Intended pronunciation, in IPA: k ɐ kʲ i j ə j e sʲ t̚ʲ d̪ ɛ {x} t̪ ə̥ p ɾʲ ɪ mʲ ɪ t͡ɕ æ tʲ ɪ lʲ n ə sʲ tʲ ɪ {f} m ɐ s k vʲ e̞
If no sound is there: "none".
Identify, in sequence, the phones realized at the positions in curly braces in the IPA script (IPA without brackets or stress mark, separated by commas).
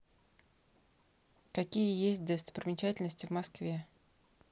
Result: s, v